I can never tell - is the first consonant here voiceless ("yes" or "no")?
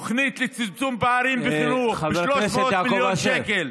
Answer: yes